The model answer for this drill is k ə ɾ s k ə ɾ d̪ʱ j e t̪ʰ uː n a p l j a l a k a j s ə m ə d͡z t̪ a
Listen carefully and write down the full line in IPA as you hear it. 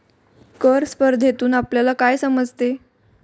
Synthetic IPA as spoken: k ə ɾ s p ə ɾ d̪ʱ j e t̪ uː n a p l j a l a k a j s ə m ə d͡z t̪ e